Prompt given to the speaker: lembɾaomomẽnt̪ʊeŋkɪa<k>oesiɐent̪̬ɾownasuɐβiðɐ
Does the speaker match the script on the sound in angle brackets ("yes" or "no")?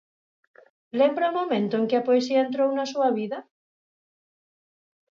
no